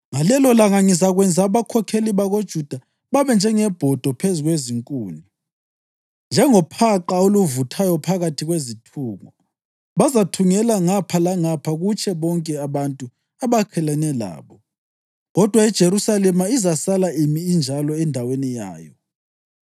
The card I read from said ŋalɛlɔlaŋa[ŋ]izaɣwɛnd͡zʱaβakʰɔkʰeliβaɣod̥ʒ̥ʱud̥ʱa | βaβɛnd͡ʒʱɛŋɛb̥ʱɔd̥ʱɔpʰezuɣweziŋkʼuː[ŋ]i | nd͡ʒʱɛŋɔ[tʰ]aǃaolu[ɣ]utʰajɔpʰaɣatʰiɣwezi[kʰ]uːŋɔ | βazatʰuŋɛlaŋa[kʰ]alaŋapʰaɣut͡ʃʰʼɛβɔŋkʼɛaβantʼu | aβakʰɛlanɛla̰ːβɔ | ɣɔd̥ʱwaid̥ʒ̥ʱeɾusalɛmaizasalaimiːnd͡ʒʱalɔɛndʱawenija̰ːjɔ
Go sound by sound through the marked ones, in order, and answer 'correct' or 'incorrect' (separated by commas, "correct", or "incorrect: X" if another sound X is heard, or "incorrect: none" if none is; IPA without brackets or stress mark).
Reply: correct, incorrect: n, incorrect: pʰ, incorrect: v, incorrect: tʰ, incorrect: pʰ